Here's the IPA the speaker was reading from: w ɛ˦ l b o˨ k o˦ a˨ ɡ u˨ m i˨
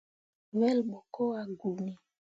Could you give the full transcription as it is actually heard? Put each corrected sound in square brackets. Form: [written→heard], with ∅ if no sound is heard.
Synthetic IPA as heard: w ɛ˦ l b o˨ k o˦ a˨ ɡ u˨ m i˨